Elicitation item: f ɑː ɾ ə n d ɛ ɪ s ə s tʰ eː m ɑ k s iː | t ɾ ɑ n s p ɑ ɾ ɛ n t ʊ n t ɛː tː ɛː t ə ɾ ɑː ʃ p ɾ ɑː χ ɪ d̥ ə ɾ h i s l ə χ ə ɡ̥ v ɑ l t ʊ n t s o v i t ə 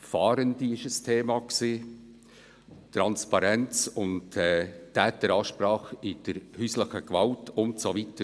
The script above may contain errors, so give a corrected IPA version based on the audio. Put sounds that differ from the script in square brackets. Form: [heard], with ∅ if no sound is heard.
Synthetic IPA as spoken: f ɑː ɾ ə n d [i] ɪ [ʃ] ə s tʰ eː m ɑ k s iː | t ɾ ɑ n s p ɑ ɾ ɛ n [t͡s] ʊ n t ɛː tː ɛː t ə ɾ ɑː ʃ p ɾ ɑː χ ɪ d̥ ə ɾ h [y] s l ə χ ə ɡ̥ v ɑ l t ʊ n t s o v i t ə